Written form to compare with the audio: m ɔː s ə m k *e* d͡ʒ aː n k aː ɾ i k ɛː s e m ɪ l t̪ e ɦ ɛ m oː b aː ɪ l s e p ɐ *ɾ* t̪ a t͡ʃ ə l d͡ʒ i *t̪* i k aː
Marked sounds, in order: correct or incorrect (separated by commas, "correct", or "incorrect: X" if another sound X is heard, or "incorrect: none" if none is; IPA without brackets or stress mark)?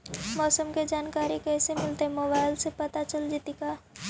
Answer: correct, incorrect: none, correct